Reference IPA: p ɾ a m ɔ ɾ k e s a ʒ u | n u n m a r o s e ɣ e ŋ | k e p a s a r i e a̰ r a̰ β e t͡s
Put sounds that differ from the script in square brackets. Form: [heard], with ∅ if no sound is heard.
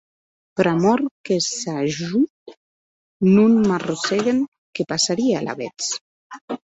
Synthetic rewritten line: p ɾ a m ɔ ɾ k e s a ʒ u | n u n m a r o s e ɣ e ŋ | k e p a s a [ɾ] i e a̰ [l] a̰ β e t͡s